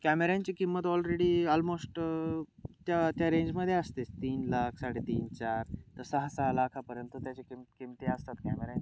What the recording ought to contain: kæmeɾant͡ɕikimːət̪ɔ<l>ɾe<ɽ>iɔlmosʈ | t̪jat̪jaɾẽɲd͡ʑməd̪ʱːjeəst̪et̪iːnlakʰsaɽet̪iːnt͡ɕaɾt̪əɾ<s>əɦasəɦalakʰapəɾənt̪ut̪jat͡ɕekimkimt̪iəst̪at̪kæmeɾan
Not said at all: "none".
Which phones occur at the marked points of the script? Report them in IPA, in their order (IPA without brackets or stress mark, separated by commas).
l, ɽ, s